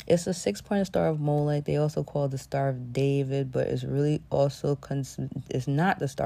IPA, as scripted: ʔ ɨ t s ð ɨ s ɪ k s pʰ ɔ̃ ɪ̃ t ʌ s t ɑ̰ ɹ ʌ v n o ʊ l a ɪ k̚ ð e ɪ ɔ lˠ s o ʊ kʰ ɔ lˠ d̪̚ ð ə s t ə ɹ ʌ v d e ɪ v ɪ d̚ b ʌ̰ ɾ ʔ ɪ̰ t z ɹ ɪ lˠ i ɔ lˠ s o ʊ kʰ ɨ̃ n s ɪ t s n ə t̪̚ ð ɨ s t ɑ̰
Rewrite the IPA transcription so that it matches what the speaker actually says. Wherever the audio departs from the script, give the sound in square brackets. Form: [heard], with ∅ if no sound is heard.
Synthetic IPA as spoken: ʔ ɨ t s ð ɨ s ɪ k s pʰ ɔ̃ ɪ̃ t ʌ s t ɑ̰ ɹ ʌ v [m] o ʊ l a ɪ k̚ ð e ɪ ɔ lˠ s o ʊ kʰ ɔ lˠ d̪̚ ð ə s t [ɑ] ɹ ʌ v d e ɪ v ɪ d̚ b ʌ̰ ɾ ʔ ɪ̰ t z ɹ ɪ lˠ i ɔ lˠ s o ʊ kʰ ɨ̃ n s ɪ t s n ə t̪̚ ð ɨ s t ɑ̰